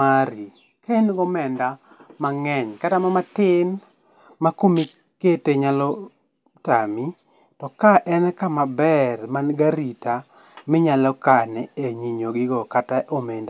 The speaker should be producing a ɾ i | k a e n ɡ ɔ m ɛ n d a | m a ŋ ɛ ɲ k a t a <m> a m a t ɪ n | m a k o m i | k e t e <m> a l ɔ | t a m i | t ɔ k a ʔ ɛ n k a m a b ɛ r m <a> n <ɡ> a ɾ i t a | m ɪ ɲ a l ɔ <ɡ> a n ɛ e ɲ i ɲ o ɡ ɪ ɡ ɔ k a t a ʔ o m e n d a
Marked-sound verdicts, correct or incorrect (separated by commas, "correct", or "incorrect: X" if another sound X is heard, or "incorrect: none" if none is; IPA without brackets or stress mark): correct, incorrect: ɲ, correct, correct, incorrect: k